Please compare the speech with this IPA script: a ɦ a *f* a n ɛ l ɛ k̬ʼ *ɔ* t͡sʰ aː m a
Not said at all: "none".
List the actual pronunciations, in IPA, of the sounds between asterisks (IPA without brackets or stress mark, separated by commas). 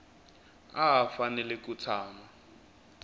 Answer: f, u